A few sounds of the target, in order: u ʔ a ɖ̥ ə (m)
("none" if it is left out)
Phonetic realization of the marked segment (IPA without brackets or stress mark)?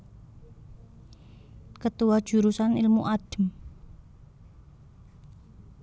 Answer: m